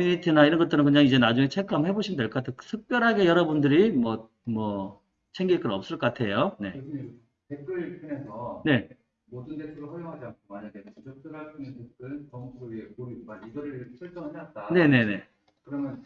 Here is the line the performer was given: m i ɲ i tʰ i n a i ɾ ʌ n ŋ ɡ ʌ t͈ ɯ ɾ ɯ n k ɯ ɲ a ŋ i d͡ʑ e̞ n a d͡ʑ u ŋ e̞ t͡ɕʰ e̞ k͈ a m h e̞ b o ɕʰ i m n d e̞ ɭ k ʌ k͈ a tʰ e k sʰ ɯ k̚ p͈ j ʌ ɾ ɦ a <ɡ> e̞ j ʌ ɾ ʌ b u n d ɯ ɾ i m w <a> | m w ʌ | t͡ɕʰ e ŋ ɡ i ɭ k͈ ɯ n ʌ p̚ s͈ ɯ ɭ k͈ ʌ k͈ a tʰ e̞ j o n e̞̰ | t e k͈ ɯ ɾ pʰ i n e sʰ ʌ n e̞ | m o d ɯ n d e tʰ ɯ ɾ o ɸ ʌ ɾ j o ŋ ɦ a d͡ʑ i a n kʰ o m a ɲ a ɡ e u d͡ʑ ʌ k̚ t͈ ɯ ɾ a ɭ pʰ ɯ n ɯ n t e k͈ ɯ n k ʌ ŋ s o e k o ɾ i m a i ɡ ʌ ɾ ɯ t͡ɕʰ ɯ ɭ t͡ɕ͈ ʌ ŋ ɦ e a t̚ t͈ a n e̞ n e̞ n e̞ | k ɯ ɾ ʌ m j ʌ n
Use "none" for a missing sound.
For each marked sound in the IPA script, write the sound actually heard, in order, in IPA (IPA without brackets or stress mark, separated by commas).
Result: ɡ, ʌ